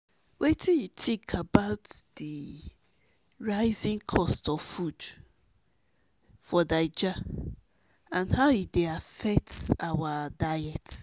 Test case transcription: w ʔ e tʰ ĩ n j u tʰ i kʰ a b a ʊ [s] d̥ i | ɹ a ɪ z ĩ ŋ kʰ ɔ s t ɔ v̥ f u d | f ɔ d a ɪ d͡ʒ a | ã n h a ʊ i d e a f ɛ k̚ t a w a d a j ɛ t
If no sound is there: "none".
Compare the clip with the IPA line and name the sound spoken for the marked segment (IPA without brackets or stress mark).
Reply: t